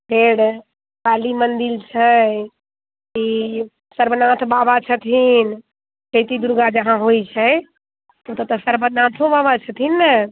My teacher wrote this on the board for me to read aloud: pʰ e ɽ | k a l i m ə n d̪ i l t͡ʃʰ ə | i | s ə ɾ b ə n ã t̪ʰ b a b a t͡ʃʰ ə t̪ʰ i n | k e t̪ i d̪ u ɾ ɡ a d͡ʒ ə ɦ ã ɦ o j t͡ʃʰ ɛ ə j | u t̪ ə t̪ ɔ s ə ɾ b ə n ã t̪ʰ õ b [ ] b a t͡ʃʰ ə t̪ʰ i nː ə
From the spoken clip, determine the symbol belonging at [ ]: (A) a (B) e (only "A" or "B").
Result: A